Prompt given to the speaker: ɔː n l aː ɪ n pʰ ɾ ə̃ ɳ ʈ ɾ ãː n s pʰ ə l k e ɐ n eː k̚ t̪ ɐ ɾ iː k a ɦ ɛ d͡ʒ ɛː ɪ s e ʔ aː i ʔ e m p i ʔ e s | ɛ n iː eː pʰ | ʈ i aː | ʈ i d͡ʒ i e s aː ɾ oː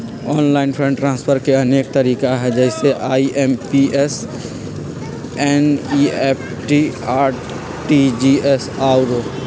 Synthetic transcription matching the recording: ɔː n l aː ɪ n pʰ ɾ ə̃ ɳ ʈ ɾ ãː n s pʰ ə ɾ k e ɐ n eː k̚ t̪ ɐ ɾ iː k a ɦ ɛ d͡ʒ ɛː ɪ s e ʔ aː i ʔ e m p i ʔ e s | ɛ n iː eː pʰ | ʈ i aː | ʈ i d͡ʒ i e s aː ɾ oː